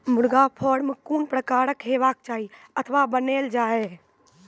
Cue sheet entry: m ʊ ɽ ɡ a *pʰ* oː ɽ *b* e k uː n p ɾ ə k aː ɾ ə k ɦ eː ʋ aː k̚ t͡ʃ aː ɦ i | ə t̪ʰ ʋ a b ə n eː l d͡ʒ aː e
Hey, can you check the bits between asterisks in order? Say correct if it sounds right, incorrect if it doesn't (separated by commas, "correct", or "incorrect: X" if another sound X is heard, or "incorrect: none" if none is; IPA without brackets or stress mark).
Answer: correct, incorrect: m